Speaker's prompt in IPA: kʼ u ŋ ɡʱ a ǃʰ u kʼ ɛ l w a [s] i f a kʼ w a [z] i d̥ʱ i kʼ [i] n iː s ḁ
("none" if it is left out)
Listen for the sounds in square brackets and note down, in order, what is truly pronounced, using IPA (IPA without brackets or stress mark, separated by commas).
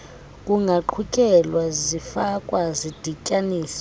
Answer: z, z, a